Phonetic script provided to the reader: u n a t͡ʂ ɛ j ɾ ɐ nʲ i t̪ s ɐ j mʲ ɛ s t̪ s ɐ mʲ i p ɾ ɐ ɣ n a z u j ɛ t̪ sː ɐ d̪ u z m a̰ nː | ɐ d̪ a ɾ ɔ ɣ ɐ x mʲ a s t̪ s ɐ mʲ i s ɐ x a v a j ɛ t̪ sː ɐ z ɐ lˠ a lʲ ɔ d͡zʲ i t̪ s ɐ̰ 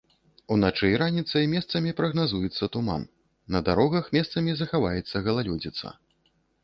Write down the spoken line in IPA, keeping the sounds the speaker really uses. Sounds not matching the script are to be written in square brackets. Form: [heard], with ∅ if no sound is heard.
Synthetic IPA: u n a t͡ʂ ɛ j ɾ [a] nʲ i t̪ s ɐ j mʲ ɛ s t̪ s ɐ mʲ i p ɾ ɐ ɣ n a z u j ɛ t̪ sː ɐ [t̪] u [∅] m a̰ nː | ɐ d̪ a ɾ ɔ ɣ ɐ x mʲ [ɛ] s t̪ s ɐ mʲ i [z] ɐ x a v a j ɛ t̪ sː ɐ [ɣ] ɐ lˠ a lʲ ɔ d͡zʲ i t̪ s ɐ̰